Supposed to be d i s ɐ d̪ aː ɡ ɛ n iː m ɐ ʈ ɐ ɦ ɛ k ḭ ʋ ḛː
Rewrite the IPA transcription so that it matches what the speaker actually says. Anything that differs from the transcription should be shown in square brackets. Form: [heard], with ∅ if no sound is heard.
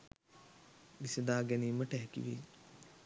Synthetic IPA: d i s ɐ d̪ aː ɡ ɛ n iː m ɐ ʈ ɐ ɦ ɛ k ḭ ʋ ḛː

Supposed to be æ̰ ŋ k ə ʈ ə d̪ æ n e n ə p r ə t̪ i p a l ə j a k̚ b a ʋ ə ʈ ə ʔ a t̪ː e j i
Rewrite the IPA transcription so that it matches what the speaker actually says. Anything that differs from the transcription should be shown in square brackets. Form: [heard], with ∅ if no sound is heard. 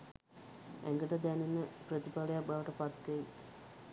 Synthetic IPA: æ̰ ŋ [ɡ] ə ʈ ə d̪ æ n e n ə p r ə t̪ i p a l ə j a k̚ b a ʋ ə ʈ ə [p] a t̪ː e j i

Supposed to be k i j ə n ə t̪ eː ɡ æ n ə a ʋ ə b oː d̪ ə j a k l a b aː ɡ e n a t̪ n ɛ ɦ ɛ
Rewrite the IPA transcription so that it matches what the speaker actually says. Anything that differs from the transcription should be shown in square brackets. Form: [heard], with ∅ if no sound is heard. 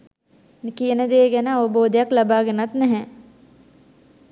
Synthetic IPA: k i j ə n ə [d̪] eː ɡ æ n ə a ʋ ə b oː d̪ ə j a k l a b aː ɡ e n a t̪ n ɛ ɦ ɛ

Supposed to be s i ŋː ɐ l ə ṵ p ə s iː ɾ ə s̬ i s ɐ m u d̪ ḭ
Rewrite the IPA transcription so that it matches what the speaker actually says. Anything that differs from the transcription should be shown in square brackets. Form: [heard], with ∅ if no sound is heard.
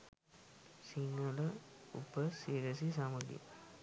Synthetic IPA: s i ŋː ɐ l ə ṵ p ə s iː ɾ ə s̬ i s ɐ m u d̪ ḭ

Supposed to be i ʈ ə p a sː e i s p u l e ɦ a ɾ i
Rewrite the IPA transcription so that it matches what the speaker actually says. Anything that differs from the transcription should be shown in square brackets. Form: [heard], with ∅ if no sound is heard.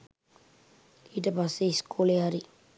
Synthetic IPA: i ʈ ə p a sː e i s [k] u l e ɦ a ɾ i

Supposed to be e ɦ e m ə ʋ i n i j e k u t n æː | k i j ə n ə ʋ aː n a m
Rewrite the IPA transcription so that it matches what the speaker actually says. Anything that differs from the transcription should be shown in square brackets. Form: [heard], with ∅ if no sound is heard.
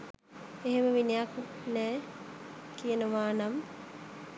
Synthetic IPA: e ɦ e m ə ʋ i n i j [a] k u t n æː | k i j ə n ə ʋ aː n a m

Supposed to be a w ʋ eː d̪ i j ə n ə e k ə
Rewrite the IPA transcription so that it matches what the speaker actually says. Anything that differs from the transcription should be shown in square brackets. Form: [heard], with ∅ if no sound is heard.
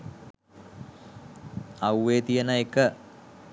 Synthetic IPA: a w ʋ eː [t̪] i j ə n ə e k ə

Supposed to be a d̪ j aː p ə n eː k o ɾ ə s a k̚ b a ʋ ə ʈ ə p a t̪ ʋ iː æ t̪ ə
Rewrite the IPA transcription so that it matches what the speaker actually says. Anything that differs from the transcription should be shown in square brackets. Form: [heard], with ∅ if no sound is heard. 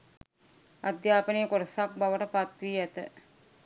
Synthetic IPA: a d̪ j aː p ə n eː k o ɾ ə s a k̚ b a ʋ ə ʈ ə p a t̪ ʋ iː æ t̪ ə

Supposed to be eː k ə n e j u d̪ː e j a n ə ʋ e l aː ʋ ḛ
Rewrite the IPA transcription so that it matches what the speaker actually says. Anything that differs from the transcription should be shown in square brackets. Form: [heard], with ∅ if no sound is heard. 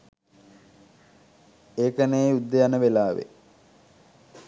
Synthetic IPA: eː k ə n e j u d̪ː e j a n ə ʋ e l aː ʋ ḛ

